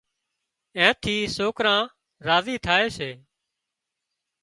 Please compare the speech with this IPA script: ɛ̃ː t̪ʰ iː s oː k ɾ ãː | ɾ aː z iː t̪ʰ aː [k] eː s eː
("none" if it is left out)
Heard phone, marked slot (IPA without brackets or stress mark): none